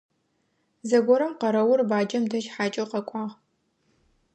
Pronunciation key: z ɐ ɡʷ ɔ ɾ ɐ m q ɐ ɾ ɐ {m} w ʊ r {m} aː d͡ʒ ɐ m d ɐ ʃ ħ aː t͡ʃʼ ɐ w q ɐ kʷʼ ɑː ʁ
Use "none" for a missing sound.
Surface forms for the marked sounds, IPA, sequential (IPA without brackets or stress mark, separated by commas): none, b